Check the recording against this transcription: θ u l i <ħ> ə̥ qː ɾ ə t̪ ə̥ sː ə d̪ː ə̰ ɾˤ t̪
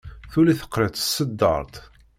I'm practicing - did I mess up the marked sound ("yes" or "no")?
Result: yes